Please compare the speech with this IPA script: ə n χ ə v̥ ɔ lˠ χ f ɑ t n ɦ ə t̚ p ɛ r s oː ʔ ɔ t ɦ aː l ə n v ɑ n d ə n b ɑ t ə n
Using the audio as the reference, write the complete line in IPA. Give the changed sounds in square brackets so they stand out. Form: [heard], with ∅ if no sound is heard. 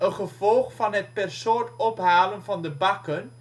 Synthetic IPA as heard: ə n χ ə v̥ ɔ lˠ χ f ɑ [∅] n ɦ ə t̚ p ɛ r s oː [t] ɔ [p] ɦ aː l ə n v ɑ n d ə [∅] b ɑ [k] ə n